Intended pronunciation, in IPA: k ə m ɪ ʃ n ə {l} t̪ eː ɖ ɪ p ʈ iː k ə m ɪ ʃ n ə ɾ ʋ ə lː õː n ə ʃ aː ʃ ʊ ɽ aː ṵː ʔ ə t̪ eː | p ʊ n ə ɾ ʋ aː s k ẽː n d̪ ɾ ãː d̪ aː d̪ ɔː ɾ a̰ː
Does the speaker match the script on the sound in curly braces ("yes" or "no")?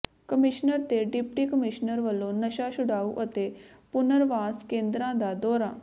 no